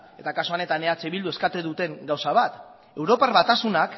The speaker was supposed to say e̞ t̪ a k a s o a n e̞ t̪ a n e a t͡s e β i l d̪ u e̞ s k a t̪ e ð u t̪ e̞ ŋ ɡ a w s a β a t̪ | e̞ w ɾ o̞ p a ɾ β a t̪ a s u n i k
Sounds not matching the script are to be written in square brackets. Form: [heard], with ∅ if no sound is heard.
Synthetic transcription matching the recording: e̞ t̪ a k a s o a n e̞ t̪ a n e a t͡s e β i l d̪ u e̞ s k a t̪ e ð u t̪ e̞ ŋ ɡ a w s a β a t̪ | e̞ w ɾ o̞ p a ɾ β a t̪ a s u n [a] k